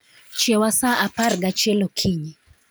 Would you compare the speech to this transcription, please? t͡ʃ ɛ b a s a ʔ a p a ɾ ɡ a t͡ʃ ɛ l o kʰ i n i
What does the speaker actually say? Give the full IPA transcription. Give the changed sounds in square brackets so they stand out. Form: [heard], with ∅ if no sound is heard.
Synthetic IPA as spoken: t͡ʃ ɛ [w] a s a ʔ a p a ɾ ɡ a t͡ʃ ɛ l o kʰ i [ɲ] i